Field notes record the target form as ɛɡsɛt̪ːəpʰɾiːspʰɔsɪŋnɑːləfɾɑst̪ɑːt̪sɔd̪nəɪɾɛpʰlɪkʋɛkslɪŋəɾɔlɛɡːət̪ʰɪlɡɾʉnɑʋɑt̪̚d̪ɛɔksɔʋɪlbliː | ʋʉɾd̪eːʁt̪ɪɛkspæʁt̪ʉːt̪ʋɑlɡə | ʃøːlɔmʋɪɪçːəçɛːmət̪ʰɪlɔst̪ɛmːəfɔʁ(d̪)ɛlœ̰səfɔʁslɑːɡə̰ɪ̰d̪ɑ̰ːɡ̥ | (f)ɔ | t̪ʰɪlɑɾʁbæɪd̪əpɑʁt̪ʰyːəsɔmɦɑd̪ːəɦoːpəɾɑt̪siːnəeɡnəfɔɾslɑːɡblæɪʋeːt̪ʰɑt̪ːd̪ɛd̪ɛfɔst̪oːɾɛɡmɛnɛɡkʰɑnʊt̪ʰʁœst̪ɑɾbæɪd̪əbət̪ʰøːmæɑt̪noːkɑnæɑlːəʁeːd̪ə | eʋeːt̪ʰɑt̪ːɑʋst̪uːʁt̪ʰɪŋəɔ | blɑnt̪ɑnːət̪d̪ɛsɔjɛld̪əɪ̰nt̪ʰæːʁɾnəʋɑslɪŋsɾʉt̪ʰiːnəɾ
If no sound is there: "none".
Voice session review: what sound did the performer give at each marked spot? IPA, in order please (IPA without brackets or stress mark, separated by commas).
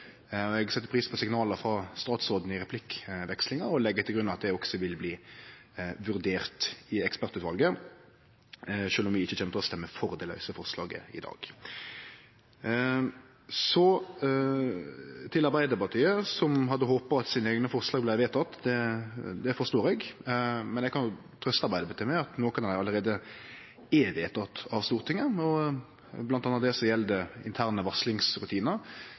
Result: d̪, s